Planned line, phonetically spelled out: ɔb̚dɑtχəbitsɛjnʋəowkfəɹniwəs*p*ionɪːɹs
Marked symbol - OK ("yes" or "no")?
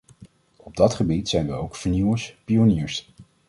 yes